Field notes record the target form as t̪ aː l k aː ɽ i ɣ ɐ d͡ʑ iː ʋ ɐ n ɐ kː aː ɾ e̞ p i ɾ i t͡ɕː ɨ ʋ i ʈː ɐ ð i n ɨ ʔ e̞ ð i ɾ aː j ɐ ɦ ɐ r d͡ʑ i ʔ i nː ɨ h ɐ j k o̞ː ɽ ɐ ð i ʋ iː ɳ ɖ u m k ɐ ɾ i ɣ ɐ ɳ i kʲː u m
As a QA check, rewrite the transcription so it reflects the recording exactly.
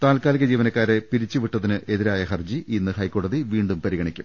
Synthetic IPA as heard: t̪ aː l k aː l i ɣ ɐ d͡ʑ iː ʋ ɐ n ɐ kː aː ɾ e̞ p i ɾ i t͡ɕː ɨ ʋ i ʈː ɐ ð i n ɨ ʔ e̞ ð i ɾ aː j ɐ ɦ ɐ r d͡ʑ i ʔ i nː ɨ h ɐ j k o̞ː ɽ ɐ ð i ʋ iː ɳ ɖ u m p ɐ ɾ i ɣ ɐ ɳ i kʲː u m

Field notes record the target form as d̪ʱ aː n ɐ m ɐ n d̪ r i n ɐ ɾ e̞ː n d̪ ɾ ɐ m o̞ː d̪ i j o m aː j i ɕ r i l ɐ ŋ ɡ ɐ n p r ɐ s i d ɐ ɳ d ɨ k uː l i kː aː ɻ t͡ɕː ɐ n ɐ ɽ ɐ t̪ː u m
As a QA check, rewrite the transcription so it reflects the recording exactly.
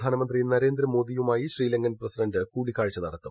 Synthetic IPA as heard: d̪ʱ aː n ɐ m ɐ n d̪ r i n ɐ ɾ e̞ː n d̪ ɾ ɐ m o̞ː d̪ i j u m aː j i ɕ r iː l ɐ ŋ ɡ ɐ n p r ɐ s i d ɐ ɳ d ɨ k uː ɽ i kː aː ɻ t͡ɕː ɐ n ɐ ɽ ɐ t̪ː u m

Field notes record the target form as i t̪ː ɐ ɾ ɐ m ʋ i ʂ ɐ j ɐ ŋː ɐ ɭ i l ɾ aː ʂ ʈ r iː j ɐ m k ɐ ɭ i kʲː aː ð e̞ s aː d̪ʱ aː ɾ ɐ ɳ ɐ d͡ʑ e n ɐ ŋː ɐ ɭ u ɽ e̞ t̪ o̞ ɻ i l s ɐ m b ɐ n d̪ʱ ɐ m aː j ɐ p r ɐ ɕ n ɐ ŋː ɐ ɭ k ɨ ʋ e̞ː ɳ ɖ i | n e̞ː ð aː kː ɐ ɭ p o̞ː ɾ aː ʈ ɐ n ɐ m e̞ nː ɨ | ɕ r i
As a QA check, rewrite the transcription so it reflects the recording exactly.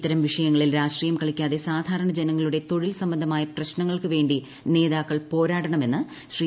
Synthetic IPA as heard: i t̪ː ɐ ɾ ɐ m ʋ i ʂ ɐ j ɐ ŋː ɐ ɭ i l ɾ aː ʂ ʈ r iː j ɐ m k ɐ ɭ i kʲː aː ð e̞ s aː d̪ʱ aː ɾ ɐ ɳ ɐ d͡ʑ e n ɐ ŋː ɐ ɭ u ɽ e̞ t̪ o̞ ɻ i l s ɐ m b ɐ n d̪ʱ ɐ m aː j ɐ p r ɐ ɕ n ɐ ŋː ɐ ɭ k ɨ ʋ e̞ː ɳ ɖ i | n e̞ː ð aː kː ɐ ɭ p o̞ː ɾ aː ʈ ɐ ɳ ɐ m e̞ nː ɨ | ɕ r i

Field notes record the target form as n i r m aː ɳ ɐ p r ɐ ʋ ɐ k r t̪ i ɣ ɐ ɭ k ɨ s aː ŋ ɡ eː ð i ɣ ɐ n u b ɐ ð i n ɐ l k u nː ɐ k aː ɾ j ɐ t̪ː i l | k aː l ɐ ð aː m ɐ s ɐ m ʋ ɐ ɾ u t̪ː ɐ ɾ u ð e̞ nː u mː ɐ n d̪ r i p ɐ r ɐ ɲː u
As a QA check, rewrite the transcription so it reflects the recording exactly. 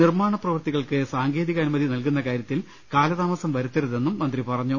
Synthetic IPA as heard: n i r m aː ɳ ɐ p r ɐ ʋ ɐ r t̪ i ɣ ɐ ɭ k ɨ s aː ŋ ɡ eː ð i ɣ ɐ n u m ɐ ð i n ɐ l k u nː ɐ k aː ɾ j ɐ t̪ː i l | k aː l ɐ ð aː m ɐ s ɐ m ʋ ɐ ɾ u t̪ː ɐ ɾ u ð e̞ nː u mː ɐ n d̪ r i p ɐ r ɐ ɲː u

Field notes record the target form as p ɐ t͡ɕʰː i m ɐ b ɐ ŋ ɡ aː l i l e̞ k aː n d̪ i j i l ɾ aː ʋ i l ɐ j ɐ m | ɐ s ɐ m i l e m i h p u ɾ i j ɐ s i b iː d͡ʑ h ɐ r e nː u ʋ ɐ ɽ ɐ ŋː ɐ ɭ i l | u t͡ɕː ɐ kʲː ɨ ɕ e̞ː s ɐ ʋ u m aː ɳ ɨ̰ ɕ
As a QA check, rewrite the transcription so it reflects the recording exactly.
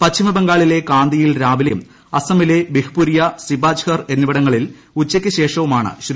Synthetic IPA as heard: p ɐ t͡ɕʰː i m ɐ b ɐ ŋ ɡ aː ɭ i l e̞ k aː n d̪ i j i l ɾ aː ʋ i l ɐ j ɐ m | ɐ s ɐ m i l e b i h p u ɾ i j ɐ s i b aː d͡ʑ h ɐ r e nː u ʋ ɐ ɽ ɐ ŋː ɐ ɭ i l | u t͡ɕː ɐ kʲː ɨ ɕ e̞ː ʂ ɐ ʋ u m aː ɳ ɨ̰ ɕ

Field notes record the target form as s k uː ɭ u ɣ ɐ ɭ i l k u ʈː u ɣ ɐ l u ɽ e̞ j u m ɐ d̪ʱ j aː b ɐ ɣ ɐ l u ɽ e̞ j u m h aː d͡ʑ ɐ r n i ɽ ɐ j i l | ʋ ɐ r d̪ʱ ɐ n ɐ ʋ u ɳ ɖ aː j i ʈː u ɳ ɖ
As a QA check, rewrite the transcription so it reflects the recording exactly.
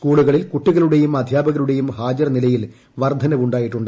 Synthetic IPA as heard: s k uː ɭ u ɣ ɐ ɭ i l k u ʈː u ɣ ɐ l u ɽ e̞ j u m ɐ d̪ʱ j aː b ɐ ɣ ɐ l u ɽ e̞ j u m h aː d͡ʑ ɐ r n i l ɐ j i l | ʋ ɐ r d̪ʱ ɐ n ɐ ʋ u ɳ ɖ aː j i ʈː u ɳ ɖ

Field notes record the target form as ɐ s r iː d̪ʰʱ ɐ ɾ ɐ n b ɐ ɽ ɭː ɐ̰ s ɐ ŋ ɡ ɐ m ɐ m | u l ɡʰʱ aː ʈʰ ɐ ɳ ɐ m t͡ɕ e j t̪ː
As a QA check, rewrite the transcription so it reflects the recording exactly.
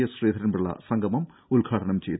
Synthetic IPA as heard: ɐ s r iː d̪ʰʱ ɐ ɾ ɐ n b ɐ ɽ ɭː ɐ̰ s ɐ ŋ ɡ ɐ m ɐ m | u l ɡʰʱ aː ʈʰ ɐ ɳ ɐ m t͡ɕ e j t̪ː

